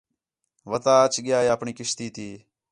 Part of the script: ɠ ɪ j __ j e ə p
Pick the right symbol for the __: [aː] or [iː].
aː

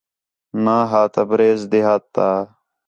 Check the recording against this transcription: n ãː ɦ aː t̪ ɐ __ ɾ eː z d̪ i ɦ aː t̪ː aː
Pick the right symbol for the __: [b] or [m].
b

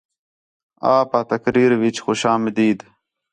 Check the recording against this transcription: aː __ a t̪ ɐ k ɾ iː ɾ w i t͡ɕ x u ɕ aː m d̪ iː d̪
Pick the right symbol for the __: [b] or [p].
p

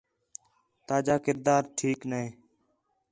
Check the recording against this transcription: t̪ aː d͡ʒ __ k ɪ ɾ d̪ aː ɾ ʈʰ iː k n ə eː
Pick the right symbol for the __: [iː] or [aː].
aː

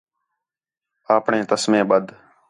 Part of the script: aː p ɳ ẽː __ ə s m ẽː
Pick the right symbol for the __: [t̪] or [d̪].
t̪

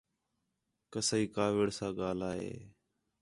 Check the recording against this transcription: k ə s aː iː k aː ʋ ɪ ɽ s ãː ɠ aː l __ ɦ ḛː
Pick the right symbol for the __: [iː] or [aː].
aː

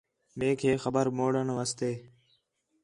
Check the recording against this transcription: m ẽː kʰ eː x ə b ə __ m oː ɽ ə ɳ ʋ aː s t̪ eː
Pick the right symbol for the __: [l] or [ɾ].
ɾ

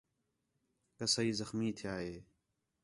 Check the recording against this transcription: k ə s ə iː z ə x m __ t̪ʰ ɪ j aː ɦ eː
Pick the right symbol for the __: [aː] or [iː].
iː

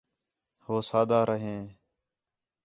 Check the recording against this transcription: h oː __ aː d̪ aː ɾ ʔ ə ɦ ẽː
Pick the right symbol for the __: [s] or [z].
s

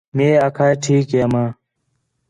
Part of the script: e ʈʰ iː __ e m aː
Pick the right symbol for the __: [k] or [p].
k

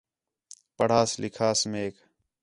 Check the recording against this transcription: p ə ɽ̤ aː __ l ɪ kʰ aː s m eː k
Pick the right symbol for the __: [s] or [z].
s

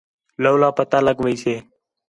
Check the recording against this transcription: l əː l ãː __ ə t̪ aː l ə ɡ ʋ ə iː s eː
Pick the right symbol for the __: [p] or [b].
p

